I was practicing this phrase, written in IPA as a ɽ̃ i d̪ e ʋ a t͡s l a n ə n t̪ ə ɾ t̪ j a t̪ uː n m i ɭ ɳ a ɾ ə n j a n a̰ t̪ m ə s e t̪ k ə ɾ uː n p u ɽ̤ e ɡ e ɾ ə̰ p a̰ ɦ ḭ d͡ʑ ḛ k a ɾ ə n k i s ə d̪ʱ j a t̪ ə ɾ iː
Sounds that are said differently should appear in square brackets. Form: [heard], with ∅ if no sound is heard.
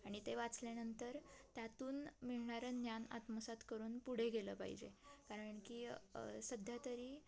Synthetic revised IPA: a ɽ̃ i [t̪] e ʋ a t͡s l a n ə n t̪ ə ɾ t̪ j a t̪ uː n m i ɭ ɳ a ɾ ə n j a n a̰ t̪ m ə s [a] t̪ k ə ɾ uː n p u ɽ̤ e ɡ e [l] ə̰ p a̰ ɦ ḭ d͡ʑ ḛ k a ɾ ə [ɳ] k i s ə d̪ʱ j a t̪ ə ɾ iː

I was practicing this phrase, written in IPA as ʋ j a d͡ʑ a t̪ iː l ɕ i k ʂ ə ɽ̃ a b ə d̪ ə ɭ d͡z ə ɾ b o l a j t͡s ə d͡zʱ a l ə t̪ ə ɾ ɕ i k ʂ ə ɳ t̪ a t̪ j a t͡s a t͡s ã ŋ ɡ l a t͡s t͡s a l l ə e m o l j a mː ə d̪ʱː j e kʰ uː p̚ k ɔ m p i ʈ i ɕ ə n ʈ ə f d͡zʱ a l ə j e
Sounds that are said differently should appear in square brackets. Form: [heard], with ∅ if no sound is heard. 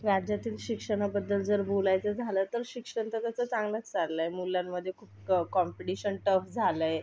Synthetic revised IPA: ʋ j a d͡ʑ a t̪ iː l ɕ i k ʂ ə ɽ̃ a b ə [d̪ː] ə [l] d͡z ə ɾ b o l a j t͡s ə d͡zʱ a l ə t̪ ə ɾ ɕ i k ʂ ə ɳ t̪ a t̪ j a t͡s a t͡s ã ŋ ɡ l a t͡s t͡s a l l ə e m [u] l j a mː ə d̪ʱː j e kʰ uː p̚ k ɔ m p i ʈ i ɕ ə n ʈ ə f d͡zʱ a l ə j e

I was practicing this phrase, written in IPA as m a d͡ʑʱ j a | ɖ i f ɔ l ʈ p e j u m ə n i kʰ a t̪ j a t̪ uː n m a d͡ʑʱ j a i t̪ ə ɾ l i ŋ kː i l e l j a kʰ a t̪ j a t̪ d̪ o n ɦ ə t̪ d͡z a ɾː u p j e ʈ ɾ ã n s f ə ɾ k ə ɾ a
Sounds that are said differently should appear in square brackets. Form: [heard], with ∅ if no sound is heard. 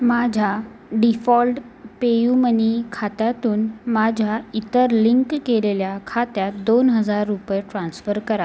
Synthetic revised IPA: m a d͡ʑʱ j a | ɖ i f ɔ l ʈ p e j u m ə n i kʰ a t̪ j a t̪ uː n m a d͡ʑʱ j a i t̪ ə ɾ l i ŋ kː [e] l e l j a kʰ a t̪ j a t̪ d̪ o n ɦ ə [∅] d͡z a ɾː u p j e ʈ ɾ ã n s f ə ɾ k ə ɾ a

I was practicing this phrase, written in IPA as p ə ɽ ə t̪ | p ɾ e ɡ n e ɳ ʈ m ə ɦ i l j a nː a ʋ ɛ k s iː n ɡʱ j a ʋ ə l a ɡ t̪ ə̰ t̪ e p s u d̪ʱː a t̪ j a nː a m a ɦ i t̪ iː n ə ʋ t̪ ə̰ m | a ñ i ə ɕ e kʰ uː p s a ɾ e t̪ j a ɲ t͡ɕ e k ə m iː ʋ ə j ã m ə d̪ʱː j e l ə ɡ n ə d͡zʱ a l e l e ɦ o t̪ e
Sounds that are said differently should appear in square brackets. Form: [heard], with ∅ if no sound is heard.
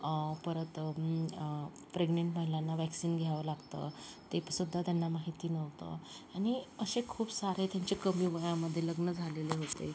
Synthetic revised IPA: p ə [ɾ] ə t̪ | p ɾ e ɡ n e ɳ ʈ m ə ɦ i l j a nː a ʋ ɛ k s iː n ɡʱ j a ʋ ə l a ɡ t̪ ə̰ t̪ e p s u d̪ʱː a t̪ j a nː a m a ɦ i t̪ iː n ə ʋ t̪ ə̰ [∅] | a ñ i ə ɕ e kʰ uː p s a ɾ e t̪ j a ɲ t͡ɕ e k ə m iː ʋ ə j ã m ə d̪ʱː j e l ə ɡ n ə d͡zʱ a l e l e ɦ o t̪ e

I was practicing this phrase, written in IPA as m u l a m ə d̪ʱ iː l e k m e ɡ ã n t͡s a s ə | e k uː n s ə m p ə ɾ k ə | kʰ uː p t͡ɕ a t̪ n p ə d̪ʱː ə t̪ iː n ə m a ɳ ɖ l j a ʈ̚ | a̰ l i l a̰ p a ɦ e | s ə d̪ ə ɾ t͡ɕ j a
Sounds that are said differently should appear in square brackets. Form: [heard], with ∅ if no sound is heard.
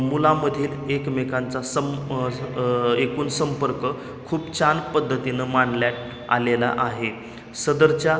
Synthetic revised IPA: m u l a m ə d̪ʱ iː l e k m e [k] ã n t͡s a s ə | e k uː n s ə m p ə ɾ k ə | kʰ uː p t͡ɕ a [∅] n p ə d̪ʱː ə t̪ [i] n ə m a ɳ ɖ l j a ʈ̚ | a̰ l [e] l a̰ [ʔ] a ɦ e | s ə d̪ ə ɾ t͡ɕ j a

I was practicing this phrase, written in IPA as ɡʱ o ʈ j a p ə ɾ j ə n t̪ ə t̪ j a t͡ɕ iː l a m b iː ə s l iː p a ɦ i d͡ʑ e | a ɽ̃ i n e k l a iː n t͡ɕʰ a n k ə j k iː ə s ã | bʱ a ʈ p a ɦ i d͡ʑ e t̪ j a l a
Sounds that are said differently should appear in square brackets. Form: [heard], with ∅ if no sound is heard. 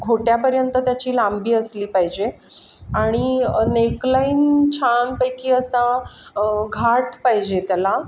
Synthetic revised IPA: ɡʱ o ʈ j a p ə ɾ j ə n t̪ ə t̪ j a t͡ɕ iː l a m b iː ə s l iː p a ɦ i d͡ʑ e | a ɽ̃ i n e k l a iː n t͡ɕʰ a n [p] ə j k iː ə s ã | [ɡʱ] a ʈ p a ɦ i d͡ʑ e t̪ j a l a

